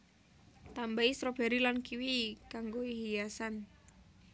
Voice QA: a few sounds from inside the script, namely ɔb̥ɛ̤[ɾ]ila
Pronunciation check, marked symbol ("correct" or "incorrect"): correct